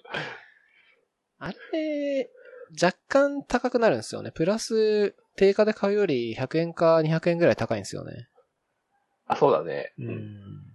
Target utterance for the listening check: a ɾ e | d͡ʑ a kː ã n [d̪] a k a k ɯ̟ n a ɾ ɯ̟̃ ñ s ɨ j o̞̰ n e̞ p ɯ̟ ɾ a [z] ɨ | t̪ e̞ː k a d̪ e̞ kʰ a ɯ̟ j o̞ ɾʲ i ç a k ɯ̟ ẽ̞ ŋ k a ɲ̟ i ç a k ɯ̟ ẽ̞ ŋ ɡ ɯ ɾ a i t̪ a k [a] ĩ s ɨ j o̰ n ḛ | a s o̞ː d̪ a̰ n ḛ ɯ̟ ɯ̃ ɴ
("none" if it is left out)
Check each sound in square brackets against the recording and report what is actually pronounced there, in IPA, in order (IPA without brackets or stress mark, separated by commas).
t̪, s, a